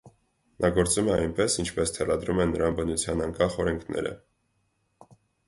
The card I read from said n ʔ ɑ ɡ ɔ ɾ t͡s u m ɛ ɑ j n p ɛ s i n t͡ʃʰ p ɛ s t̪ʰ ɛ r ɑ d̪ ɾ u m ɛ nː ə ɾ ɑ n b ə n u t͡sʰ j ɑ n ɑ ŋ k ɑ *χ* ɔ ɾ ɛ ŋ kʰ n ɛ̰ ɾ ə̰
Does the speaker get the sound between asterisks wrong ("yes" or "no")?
no